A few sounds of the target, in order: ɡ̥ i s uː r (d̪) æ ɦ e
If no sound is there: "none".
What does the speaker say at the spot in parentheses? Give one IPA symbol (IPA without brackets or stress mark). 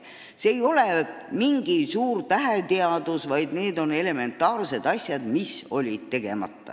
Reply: t̪